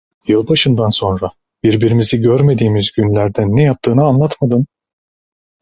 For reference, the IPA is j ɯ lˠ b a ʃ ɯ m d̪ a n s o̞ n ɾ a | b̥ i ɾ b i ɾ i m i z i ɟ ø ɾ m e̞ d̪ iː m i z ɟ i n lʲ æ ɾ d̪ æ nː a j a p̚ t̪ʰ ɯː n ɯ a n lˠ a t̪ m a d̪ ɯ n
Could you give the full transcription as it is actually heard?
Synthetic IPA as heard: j ɯ lˠ b a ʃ ɯ n d̪ a n s o̞ n ɾ a | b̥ i ɾ b i ɾ i m i z i ɟ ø ɾ m e̞ d̪ iː m i z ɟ y n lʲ æ ɾ d̪ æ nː ɛ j a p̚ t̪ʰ ɯː n ɯ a n lˠ a t̪ m a d̪ ɯ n